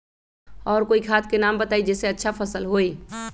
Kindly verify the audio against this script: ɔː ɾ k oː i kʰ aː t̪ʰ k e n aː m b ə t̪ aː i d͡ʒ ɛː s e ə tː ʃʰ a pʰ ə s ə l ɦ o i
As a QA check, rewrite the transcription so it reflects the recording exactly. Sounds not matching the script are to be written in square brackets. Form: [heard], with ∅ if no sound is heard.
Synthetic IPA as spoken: ɔː ɾ k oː i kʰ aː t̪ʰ k e n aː m b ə t̪ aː i d͡ʒ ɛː s e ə tː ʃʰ a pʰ ə s ə l ɦ o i